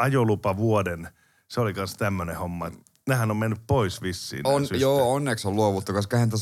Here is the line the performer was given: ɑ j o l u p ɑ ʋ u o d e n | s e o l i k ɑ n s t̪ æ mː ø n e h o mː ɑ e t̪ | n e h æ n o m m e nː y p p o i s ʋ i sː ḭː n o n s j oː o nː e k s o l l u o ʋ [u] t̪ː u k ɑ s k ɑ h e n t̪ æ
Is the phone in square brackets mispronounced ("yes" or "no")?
no